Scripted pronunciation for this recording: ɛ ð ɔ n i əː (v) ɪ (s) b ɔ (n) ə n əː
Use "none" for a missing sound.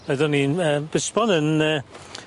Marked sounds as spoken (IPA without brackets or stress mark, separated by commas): b, s, n